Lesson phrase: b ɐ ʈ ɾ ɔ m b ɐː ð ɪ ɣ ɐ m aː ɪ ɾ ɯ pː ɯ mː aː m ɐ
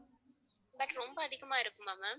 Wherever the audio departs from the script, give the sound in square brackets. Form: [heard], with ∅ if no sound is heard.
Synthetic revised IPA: b ɐ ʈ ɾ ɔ m b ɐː ð ɪ ɣ ɐ m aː ɪ ɾ ɯ [kː] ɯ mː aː m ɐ